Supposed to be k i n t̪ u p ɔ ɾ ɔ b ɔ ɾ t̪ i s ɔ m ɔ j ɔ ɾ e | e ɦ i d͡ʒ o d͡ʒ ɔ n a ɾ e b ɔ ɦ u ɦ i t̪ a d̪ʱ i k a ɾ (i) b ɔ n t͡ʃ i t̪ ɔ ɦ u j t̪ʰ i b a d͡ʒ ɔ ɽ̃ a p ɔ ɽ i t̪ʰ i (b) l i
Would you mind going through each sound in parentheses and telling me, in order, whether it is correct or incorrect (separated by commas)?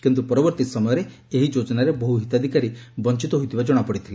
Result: correct, incorrect